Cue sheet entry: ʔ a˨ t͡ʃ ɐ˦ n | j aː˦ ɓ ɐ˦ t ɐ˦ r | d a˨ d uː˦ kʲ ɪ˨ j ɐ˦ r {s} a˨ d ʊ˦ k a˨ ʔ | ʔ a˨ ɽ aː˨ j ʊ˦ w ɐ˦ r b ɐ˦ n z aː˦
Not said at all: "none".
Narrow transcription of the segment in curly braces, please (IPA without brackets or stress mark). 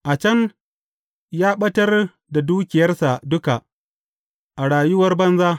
s